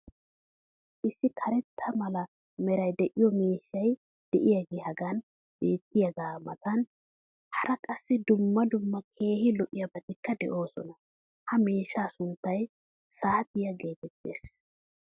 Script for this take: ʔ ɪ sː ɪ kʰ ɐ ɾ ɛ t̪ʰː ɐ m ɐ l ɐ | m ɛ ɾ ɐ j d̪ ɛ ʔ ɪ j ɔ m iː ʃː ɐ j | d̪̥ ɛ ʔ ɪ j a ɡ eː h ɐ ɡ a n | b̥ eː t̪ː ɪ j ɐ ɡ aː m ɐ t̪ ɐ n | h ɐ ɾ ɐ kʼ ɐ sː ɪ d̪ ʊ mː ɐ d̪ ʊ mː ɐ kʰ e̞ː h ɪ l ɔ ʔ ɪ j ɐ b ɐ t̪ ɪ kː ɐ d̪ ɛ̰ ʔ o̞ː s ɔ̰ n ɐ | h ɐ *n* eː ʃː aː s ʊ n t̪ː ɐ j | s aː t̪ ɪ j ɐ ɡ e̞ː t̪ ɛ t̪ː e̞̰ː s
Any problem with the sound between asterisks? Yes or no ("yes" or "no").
yes